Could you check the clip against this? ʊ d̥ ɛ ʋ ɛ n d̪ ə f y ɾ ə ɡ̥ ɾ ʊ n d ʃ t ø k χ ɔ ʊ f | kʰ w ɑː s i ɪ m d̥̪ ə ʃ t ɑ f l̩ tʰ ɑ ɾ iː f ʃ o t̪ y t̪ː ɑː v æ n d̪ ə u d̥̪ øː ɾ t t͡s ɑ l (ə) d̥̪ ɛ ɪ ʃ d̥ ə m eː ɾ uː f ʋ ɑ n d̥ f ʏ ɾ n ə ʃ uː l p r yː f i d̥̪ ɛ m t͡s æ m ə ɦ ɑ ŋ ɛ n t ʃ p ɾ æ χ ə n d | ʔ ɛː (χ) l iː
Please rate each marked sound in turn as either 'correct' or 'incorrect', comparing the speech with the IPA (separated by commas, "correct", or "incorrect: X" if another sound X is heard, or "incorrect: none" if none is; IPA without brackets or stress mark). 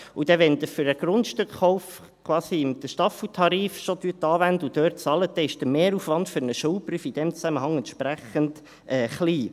correct, correct